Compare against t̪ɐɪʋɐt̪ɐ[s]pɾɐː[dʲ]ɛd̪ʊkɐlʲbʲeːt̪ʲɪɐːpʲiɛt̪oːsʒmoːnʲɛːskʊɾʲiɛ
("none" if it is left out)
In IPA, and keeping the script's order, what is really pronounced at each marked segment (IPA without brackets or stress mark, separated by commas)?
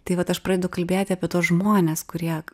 ʃ, dʲ